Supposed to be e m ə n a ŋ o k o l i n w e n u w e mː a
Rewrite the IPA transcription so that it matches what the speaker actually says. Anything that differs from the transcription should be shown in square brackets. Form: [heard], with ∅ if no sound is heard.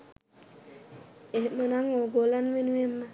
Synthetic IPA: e m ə n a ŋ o [ɡ] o l [a] n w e n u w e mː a

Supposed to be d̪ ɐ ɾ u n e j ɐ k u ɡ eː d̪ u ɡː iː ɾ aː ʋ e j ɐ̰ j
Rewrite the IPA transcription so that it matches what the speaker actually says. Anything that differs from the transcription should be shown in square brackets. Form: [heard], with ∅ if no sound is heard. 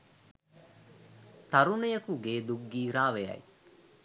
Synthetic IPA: [t̪] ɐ ɾ u n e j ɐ k u ɡ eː d̪ u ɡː iː ɾ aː ʋ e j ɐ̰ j

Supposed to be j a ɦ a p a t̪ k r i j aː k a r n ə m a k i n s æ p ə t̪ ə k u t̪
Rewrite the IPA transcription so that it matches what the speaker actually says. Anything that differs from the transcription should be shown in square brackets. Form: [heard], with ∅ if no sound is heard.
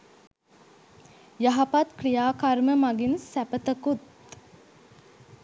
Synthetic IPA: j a ɦ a p a t̪ k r i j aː k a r [m] ə m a [ɡ] i n s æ p ə t̪ ə k u t̪

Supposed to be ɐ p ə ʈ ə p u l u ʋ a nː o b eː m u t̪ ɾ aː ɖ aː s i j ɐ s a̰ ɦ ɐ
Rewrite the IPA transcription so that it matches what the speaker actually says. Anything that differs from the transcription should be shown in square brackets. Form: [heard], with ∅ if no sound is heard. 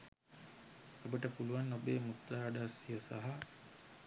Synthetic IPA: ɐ [b] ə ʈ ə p u l u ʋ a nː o b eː m u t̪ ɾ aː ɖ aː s i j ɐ s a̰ ɦ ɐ

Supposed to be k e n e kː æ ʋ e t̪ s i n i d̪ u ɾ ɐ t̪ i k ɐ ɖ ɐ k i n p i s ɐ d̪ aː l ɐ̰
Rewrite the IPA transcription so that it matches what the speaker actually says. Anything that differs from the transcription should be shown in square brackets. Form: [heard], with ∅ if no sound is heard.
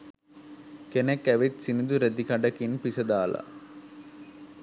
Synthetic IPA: k e n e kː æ ʋ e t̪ s i n i d̪ u ɾ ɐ [d̪] i k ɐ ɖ ɐ k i n p i s ɐ d̪ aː l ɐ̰

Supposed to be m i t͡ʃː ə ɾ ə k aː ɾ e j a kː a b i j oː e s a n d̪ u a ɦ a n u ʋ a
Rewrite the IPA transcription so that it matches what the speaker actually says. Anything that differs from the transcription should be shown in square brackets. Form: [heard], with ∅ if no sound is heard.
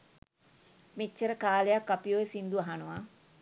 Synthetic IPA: m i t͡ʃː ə ɾ ə k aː [l] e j a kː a [p] i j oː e s [i] n d̪ u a ɦ a n u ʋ a

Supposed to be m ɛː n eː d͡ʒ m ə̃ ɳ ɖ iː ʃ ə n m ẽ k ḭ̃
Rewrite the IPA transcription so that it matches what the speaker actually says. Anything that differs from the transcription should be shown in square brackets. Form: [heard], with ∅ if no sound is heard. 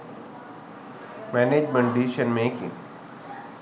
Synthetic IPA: m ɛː n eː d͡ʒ m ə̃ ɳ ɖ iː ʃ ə n m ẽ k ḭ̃

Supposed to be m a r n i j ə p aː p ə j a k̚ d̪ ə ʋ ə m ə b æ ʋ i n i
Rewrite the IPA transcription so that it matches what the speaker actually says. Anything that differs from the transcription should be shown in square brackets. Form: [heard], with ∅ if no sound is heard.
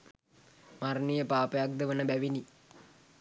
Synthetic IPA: m a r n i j ə p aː p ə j a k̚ d̪ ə ʋ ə [n] ə b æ ʋ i n i

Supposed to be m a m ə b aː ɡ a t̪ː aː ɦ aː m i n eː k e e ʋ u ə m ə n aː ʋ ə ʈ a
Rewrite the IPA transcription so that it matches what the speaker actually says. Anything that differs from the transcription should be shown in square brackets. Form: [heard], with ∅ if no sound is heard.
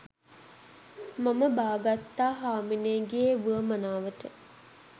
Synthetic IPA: m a m ə b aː ɡ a t̪ː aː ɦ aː m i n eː [ɡ] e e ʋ u ə m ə n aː ʋ ə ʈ [ə]

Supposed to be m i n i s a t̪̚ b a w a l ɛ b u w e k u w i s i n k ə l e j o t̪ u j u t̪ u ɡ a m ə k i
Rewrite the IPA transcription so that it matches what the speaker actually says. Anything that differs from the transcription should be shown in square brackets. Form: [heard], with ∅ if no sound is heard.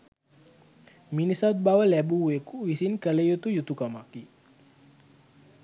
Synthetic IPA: m i n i s a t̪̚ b a w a l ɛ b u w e k u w i s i n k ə l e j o t̪ u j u t̪ u [k] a m [a] k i

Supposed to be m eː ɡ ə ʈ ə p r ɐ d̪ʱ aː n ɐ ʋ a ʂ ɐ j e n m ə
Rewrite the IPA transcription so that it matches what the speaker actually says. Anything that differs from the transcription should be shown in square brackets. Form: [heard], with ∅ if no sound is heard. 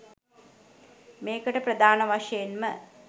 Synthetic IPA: m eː [k] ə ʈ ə p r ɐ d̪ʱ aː n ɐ ʋ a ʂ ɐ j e n m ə

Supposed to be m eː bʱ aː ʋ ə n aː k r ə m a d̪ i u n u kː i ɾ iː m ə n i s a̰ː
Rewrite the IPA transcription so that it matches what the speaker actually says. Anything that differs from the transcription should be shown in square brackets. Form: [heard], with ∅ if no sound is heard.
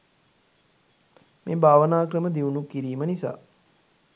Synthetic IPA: m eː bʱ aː ʋ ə n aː k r ə m [ə] d̪ i u n u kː i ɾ iː m ə n i s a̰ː

